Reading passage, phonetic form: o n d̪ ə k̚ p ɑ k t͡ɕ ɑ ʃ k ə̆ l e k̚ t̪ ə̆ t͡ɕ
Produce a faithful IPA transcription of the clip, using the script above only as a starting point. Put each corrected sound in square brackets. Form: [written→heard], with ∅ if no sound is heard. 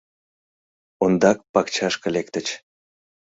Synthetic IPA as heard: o n d̪ [ə→ɑ] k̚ p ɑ k t͡ɕ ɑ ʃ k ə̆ l e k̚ t̪ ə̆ t͡ɕ